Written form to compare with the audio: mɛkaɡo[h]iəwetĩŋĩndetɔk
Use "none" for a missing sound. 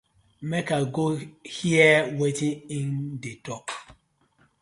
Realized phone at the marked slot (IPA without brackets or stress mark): h